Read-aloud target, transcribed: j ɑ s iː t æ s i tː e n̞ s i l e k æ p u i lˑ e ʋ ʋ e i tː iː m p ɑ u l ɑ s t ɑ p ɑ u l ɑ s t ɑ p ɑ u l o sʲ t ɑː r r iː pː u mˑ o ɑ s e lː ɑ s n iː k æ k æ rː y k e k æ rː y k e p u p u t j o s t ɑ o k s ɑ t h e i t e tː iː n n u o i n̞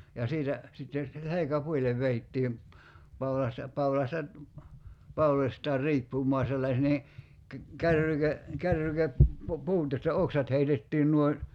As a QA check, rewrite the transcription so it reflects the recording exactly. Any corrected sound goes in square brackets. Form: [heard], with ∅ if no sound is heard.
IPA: j ɑ s iː t æ s i tː e n̞ s [e] l e k æ p u i lˑ e ʋ ʋ e i tː iː m p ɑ u l ɑ s t ɑ p ɑ u l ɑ s t ɑ p ɑ u l o sʲ t ɑː r r iː pː u mˑ o ɑ s e lː ɑ s n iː k æ k æ rː y k e k æ rː y k e p u p [uː] t j o s t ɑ o k s ɑ t h e i t e tː iː n n u o i n̞